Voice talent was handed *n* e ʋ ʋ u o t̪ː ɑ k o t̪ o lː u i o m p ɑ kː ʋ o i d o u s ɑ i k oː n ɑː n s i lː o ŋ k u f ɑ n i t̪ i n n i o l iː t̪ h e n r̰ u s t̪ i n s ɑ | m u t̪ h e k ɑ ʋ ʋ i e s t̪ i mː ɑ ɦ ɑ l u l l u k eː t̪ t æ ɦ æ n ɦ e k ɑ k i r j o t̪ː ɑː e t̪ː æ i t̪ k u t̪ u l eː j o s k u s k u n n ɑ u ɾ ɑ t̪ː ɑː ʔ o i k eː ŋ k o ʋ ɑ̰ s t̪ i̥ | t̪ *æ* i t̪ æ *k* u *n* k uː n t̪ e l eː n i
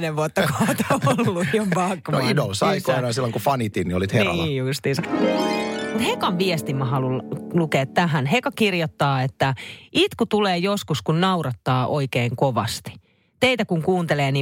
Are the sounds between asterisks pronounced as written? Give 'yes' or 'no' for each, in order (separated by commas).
yes, no, yes, no